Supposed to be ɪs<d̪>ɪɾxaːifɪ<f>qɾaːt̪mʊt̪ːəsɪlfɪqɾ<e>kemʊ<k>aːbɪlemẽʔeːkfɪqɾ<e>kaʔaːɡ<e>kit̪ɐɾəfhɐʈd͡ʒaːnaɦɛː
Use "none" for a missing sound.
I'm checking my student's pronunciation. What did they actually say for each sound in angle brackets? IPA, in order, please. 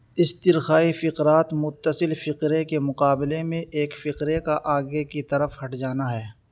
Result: t̪, none, e, q, e, e

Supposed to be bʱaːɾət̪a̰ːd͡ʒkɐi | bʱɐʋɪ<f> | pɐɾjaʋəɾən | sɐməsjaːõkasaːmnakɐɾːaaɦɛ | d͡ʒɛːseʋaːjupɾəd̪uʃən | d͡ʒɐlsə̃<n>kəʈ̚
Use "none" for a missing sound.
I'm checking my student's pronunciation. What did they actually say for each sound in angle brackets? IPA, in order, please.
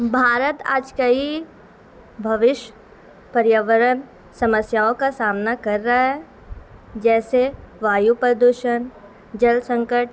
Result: ʃ, ŋ

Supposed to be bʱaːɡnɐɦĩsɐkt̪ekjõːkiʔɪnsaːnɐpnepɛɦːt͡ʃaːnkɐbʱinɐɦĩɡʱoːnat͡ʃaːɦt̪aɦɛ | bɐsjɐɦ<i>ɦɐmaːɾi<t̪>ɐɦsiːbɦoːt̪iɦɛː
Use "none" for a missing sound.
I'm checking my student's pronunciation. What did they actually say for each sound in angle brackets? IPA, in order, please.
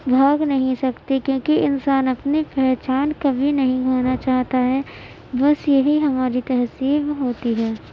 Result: i, t̪

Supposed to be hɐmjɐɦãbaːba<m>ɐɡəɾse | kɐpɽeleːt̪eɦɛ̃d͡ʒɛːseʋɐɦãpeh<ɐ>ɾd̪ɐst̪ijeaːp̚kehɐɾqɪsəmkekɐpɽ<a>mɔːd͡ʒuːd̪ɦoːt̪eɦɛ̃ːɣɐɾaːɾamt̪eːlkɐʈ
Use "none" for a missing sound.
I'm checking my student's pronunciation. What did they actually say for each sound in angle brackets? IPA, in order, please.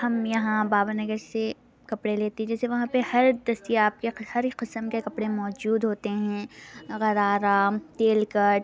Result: n, ɐ, e

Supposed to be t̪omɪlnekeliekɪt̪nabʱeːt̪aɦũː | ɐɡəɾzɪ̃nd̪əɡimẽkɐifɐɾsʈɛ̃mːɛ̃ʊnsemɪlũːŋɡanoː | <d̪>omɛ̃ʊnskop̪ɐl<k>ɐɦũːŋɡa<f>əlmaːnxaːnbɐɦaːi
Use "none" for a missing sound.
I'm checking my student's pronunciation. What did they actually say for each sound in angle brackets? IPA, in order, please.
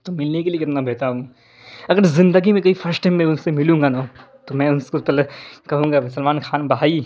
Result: t̪, k, s

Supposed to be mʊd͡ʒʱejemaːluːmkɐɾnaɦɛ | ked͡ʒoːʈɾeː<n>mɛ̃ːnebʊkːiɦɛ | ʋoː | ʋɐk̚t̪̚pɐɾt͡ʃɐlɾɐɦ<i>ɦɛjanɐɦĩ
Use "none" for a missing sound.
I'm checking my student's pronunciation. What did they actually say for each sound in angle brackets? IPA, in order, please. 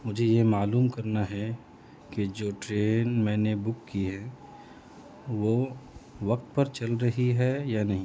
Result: n, i

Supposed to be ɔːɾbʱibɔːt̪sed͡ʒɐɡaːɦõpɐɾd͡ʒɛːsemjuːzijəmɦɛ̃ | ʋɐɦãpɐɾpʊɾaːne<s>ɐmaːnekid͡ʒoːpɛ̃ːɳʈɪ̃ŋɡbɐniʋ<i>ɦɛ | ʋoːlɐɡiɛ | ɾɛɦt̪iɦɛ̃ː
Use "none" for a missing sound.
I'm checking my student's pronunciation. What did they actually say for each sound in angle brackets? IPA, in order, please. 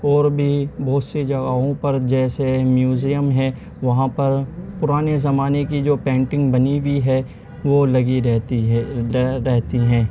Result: z, i

